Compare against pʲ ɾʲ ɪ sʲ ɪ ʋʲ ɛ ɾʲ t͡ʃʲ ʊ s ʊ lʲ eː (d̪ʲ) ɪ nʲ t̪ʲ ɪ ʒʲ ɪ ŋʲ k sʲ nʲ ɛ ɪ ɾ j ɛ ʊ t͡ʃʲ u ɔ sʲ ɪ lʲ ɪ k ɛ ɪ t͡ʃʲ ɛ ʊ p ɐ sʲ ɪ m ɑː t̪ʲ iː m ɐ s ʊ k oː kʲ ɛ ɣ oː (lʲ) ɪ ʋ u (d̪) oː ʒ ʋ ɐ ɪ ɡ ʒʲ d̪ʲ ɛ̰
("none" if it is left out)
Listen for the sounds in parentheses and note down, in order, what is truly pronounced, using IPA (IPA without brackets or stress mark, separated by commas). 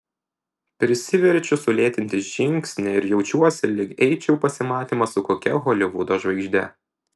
t̪ʲ, lʲ, d̪